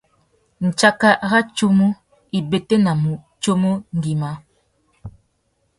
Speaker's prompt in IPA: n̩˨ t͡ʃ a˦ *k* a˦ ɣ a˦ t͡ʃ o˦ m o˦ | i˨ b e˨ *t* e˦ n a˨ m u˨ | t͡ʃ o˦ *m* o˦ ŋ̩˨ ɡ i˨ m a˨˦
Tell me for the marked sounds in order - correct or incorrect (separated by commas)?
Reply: correct, correct, correct